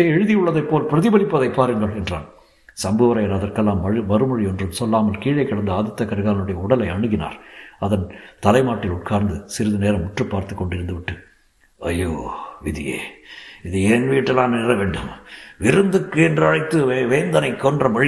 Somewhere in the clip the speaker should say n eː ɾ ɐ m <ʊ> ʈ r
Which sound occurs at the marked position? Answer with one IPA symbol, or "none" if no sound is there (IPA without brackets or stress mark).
ʊ